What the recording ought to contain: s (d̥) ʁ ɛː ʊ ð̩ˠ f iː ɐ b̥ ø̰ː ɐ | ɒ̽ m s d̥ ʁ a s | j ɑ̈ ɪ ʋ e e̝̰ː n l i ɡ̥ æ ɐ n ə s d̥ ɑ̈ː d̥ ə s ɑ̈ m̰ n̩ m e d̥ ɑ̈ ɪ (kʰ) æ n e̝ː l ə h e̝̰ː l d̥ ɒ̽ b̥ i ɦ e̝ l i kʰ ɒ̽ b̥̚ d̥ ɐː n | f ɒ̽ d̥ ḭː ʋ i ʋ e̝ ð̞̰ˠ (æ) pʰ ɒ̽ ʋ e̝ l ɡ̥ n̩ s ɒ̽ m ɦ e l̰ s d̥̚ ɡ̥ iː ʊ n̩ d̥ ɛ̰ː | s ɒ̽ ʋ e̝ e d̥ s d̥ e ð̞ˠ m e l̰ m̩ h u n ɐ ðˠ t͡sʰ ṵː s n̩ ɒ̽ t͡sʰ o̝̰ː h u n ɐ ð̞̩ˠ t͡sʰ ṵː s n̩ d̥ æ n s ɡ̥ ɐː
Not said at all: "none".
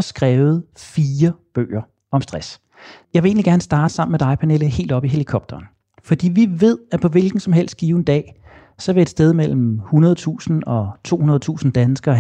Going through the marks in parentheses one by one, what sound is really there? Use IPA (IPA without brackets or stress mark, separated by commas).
ɡ̥, pʰ, æ